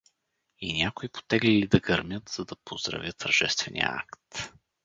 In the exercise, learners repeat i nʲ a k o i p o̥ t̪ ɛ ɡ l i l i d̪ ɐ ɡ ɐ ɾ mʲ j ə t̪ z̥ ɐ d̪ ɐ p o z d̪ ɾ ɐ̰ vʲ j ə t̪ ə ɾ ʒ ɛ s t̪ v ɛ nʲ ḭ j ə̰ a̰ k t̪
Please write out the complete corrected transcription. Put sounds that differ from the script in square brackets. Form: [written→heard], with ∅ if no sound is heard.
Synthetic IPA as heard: i nʲ a k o i p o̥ t̪ ɛ ɡ l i l i d̪ ɐ ɡ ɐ ɾ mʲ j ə t̪ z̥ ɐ d̪ ɐ p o z d̪ ɾ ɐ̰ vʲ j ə t̪ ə ɾ ʒ ɛ s t̪ v ɛ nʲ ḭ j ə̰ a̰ k t̪